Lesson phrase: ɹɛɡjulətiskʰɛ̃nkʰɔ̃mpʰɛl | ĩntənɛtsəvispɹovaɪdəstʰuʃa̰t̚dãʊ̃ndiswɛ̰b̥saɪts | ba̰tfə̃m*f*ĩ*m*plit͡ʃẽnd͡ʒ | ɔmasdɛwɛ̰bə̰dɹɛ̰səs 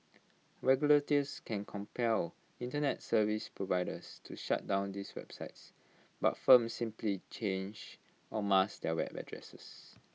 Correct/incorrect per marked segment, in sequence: incorrect, correct

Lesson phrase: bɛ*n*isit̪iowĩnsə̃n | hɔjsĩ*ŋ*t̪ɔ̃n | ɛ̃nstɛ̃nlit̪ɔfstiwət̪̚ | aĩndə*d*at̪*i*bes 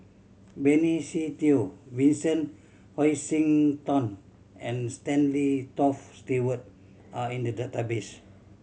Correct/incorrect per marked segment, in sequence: correct, correct, correct, incorrect

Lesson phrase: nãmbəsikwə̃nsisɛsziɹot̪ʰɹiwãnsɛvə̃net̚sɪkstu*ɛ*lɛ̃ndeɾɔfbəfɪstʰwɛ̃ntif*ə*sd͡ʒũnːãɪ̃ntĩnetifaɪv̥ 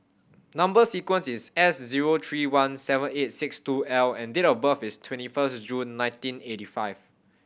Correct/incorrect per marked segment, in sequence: correct, correct

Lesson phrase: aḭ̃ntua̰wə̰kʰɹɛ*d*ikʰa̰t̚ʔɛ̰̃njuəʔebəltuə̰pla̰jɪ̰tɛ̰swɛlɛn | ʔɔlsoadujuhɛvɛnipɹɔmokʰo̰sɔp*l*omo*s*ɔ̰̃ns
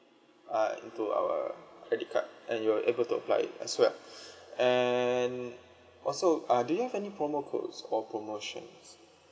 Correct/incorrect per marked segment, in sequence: correct, incorrect, incorrect

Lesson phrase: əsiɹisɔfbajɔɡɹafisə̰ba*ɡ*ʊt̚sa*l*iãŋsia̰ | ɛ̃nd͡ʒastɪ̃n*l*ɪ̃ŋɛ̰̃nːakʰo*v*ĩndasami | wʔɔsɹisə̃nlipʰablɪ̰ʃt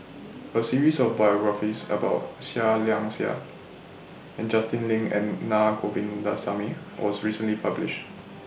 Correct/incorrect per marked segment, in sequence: incorrect, correct, correct, correct

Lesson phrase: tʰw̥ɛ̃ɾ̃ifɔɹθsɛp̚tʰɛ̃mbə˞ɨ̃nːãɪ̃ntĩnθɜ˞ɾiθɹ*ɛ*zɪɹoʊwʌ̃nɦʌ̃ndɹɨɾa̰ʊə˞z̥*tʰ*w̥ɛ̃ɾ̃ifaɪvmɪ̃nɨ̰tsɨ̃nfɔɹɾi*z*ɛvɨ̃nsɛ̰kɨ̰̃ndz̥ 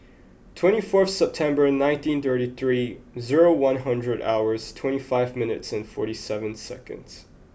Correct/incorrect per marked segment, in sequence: incorrect, correct, incorrect

